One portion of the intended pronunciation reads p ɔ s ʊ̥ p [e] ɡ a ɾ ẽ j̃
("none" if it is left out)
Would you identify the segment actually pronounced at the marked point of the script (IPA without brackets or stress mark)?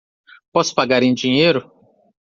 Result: a